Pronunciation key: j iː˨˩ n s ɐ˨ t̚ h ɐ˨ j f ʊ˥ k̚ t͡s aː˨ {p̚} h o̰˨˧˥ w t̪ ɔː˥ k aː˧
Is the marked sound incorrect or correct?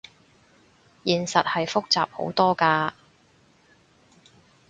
correct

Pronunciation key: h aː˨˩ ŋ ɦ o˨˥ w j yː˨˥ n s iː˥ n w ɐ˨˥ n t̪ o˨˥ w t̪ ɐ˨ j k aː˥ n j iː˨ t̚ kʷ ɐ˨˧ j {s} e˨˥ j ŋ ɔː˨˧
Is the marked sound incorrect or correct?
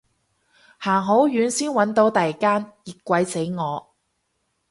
correct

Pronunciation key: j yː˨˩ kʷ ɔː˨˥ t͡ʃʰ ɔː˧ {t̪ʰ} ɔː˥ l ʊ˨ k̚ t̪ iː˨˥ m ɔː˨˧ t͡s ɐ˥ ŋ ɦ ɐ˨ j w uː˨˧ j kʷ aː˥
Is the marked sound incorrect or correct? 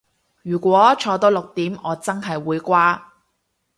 incorrect: t̪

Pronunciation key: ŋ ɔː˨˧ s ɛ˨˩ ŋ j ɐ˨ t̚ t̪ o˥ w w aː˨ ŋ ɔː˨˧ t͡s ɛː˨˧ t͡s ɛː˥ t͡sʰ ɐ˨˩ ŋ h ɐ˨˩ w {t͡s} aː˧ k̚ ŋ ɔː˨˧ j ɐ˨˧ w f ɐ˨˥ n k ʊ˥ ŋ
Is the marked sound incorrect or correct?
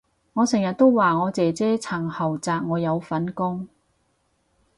correct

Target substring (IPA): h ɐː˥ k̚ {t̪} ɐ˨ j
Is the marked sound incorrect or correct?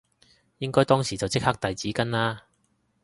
correct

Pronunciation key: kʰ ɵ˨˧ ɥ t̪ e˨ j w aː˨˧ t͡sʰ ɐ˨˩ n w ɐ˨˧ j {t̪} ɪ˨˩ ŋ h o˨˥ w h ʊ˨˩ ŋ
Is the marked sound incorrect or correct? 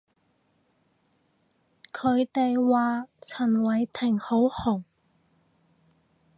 incorrect: t̪ʰ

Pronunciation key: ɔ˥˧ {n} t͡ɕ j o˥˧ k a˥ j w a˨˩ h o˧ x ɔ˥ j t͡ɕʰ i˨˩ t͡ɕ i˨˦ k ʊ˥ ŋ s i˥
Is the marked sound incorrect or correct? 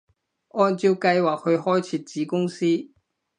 correct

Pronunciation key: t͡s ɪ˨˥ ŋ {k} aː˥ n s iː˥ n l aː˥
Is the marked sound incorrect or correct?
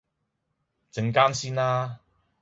correct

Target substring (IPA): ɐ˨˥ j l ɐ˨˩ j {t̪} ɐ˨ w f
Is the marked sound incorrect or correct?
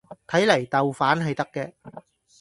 correct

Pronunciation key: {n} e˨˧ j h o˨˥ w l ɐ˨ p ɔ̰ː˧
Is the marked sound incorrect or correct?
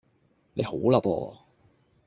correct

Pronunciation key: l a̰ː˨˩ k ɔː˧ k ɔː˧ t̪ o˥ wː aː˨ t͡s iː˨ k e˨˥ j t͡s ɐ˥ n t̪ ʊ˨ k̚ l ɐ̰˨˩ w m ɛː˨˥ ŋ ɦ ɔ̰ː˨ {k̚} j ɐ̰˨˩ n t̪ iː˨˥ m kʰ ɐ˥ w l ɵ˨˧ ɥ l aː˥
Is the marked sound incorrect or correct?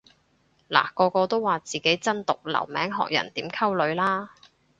correct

